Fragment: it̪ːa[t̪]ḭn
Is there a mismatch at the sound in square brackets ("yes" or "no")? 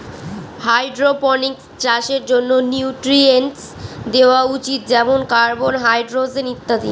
yes